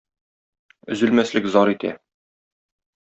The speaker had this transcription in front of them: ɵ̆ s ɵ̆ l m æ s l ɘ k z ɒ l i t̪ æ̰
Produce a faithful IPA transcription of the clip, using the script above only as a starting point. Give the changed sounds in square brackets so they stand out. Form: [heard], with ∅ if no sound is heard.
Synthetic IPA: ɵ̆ [z] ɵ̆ l m æ s l ɘ k z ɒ [ɾ] i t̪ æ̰